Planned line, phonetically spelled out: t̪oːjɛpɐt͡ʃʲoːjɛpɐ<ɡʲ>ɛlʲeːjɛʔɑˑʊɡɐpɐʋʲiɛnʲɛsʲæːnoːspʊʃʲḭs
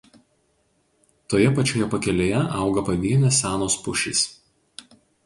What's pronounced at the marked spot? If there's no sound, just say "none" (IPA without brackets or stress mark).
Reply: kʲ